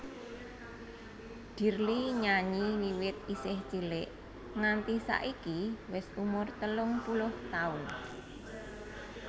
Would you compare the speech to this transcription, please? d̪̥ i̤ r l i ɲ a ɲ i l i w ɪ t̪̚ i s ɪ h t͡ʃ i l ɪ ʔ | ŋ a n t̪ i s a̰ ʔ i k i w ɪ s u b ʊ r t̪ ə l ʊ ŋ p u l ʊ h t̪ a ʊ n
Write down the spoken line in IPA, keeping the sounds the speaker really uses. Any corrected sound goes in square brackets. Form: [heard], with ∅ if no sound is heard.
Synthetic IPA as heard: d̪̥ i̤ r l i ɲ a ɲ i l i w ɪ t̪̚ i s ɪ h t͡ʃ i l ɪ ʔ | ŋ a n t̪ i s a̰ ʔ i k i w ɪ s u [m] ʊ r t̪ ə l ʊ ŋ p u l ʊ h t̪ a ʊ n